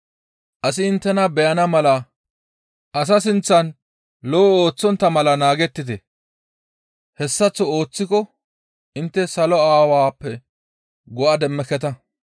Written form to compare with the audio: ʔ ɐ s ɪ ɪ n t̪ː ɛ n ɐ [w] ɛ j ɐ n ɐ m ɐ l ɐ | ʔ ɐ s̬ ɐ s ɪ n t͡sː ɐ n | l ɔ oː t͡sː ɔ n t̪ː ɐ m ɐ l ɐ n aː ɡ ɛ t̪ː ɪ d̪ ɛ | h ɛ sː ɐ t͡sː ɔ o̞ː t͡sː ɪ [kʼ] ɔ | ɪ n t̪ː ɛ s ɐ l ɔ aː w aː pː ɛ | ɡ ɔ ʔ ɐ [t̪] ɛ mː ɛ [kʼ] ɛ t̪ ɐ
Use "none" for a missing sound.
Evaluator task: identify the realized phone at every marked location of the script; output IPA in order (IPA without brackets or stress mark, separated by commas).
b, k, d̪, k